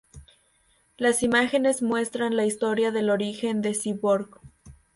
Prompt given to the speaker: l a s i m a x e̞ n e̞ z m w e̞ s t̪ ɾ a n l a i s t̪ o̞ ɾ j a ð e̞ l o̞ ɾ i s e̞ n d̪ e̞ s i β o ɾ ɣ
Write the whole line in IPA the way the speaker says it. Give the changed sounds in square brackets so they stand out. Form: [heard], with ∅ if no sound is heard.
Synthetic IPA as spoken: l a s i m a x e̞ n e̞ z m w e̞ s t̪ ɾ a n l a i s t̪ o̞ ɾ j a ð e̞ l o̞ ɾ i [x] e̞ n d̪ e̞ s i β o ɾ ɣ